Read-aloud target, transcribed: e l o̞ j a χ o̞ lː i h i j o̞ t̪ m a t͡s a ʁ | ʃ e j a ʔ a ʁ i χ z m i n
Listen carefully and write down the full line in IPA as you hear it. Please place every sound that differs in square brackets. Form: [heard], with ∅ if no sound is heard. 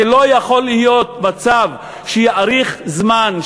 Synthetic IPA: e l o̞ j a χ o̞ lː i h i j o̞ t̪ m a t͡s a [v] | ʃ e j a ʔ a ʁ i χ z m [a] n